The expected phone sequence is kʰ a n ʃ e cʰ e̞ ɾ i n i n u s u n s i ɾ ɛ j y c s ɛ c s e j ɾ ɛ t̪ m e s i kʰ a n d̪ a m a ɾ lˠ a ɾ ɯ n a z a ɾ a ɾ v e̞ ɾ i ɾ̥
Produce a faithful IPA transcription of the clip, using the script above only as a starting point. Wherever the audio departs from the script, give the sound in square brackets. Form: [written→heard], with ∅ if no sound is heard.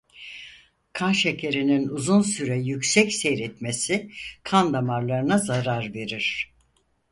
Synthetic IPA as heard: kʰ a n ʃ e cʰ e̞ ɾ i n i n u [s→z] u n s [i→y] ɾ ɛ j y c s ɛ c s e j ɾ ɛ t̪ m e s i kʰ a n d̪ a m a ɾ lˠ a ɾ ɯ n a z a ɾ a ɾ v e̞ ɾ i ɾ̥